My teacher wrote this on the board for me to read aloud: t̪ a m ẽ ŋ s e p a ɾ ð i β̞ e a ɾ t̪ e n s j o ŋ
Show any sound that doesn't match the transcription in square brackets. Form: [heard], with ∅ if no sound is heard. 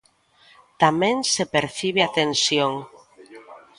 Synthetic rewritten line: t̪ a m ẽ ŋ s e p [e] ɾ [θ] i β̞ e a [∅] t̪ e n s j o ŋ